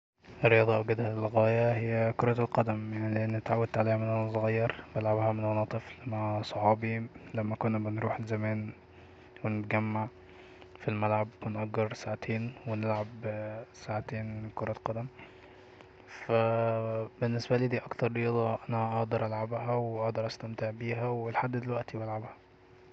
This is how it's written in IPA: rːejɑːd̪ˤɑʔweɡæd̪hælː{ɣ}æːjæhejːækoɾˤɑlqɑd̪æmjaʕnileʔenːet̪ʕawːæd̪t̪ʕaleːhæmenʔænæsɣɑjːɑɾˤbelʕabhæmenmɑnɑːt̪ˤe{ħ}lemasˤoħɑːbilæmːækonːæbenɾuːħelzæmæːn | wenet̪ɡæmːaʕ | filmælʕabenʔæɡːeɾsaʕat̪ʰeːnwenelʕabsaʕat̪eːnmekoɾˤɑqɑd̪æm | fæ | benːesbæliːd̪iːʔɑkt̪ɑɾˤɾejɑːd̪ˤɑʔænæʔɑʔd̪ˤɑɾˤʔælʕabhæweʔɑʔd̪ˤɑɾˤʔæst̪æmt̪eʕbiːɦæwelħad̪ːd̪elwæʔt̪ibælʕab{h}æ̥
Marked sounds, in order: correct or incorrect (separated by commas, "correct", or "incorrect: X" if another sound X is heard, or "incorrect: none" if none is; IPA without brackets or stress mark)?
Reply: correct, incorrect: f, correct